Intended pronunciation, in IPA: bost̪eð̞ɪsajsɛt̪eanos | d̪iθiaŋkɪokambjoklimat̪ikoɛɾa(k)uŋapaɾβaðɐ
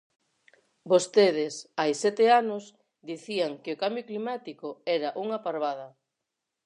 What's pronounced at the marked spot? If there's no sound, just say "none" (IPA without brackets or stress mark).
ʔ